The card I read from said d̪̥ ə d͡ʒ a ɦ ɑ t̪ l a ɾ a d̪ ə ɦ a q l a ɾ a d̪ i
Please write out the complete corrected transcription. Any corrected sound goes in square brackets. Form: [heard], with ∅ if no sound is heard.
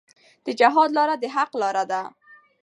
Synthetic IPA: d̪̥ ə d͡ʒ a ɦ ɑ [d̪] l [ɑ] ɾ a d̪ ə ɦ a q l [ɑ] ɾ a d̪ [a]